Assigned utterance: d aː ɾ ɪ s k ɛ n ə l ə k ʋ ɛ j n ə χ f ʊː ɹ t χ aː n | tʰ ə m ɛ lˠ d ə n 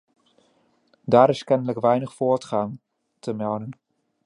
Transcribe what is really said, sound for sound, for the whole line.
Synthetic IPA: d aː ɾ ɪ s k ɛ n ə l ə k ʋ ɛ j n ə χ f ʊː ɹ t χ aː n | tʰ ə m ɛ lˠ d ə n